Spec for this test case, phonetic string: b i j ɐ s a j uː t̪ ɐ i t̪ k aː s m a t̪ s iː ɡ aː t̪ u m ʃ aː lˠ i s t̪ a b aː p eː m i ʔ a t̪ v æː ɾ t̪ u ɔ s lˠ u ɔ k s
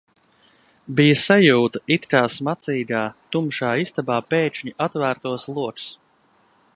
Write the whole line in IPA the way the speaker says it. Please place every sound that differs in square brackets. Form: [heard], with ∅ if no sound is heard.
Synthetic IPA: b i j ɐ s a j uː t̪ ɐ i t̪ k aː s m a t̪ s iː ɡ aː t̪ u m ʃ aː [∅] i s t̪ a b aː p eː [ɲ] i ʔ a t̪ v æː ɾ t̪ u ɔ s lˠ u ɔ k s